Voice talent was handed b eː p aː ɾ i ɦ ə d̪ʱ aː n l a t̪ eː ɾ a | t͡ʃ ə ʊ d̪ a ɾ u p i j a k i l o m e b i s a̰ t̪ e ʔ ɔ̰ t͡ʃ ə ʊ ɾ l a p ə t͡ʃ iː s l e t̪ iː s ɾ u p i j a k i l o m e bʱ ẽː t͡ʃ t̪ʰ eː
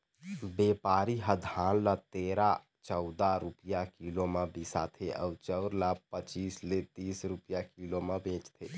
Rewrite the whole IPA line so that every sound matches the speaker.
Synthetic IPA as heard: b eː p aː ɾ i ɦ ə d̪ʱ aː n l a t̪ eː ɾ a | t͡ʃ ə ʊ d̪ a ɾ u p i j a k i l o m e b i s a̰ t̪ʰ e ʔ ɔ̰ t͡ʃ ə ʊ ɾ l a p ə t͡ʃ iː s l e t̪ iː s ɾ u p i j a k i l o m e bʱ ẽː t͡ʃ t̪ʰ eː